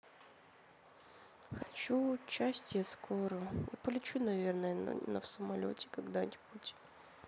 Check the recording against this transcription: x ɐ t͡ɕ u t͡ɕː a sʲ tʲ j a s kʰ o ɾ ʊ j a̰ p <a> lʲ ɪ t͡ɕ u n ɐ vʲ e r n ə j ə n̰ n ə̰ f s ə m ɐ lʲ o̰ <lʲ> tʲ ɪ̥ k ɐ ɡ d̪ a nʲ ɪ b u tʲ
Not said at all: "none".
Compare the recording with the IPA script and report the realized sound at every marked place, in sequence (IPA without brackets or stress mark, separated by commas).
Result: ə, none